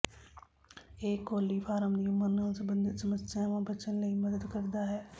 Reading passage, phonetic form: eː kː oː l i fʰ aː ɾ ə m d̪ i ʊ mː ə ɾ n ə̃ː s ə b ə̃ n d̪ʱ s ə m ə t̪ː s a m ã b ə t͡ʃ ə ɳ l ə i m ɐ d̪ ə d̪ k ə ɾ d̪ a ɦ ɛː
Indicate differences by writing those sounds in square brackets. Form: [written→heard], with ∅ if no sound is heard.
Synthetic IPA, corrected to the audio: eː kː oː l i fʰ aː ɾ ə m d̪ i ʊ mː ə ɾ n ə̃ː s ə b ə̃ n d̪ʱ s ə m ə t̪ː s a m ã b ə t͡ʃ ə [ɳ→n] l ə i m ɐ d̪ ə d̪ k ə ɾ d̪ a ɦ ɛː